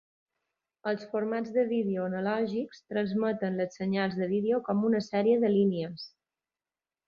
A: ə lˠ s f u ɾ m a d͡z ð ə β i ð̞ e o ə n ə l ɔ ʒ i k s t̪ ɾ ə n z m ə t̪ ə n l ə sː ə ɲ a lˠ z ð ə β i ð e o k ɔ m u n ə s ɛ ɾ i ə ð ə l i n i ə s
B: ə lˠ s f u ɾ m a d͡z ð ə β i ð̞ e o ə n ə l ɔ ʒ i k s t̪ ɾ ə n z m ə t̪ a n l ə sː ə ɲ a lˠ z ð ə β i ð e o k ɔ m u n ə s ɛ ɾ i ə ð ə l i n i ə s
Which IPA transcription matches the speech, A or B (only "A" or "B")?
A